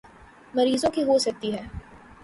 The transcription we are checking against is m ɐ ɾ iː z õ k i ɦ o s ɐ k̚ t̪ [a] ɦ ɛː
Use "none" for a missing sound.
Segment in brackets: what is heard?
i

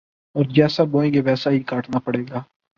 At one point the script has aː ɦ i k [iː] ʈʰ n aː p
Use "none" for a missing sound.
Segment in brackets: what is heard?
aː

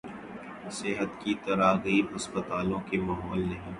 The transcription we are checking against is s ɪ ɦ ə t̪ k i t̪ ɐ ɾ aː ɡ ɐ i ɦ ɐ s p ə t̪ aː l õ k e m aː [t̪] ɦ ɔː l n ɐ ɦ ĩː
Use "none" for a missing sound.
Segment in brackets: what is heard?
none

